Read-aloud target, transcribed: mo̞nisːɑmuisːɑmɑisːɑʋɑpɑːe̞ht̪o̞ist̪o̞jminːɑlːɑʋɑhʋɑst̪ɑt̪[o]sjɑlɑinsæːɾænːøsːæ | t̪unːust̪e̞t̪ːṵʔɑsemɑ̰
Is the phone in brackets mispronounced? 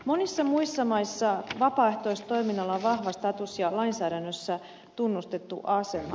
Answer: yes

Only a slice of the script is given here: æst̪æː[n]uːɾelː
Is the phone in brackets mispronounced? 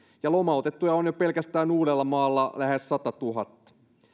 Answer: no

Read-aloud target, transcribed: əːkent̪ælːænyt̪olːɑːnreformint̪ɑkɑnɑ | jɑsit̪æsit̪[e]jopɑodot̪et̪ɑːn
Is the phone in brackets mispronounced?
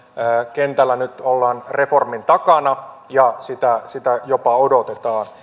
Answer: yes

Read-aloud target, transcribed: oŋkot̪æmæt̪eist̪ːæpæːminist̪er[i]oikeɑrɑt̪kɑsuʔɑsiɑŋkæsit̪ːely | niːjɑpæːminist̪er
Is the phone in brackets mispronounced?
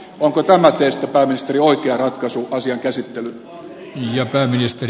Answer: no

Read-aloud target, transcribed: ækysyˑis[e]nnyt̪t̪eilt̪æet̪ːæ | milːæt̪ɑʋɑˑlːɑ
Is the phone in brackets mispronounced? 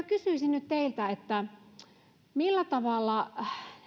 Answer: yes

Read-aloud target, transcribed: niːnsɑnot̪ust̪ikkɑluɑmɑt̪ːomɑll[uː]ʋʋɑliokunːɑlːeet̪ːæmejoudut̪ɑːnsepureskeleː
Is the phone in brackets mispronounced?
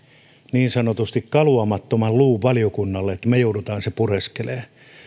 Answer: no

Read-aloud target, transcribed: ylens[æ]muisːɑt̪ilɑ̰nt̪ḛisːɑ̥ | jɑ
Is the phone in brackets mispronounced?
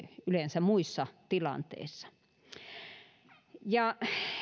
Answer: no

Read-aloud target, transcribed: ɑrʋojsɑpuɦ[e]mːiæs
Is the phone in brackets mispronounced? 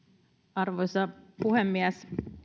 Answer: no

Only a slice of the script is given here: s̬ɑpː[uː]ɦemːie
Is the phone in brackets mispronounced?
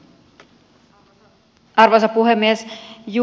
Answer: yes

